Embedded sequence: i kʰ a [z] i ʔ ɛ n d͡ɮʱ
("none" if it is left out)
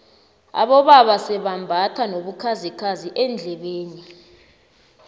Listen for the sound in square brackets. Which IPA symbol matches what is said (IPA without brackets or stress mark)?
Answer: z